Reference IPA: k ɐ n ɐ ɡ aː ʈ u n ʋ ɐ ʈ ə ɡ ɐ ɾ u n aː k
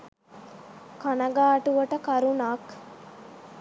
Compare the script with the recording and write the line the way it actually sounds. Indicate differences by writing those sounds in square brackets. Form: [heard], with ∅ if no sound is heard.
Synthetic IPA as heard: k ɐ n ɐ ɡ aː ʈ u [∅] ʋ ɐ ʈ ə [k] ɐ ɾ u n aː k